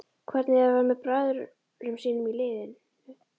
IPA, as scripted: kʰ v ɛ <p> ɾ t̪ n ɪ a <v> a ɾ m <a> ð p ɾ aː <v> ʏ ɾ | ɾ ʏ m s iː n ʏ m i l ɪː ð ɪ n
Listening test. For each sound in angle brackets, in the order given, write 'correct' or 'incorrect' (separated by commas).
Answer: incorrect, correct, incorrect, incorrect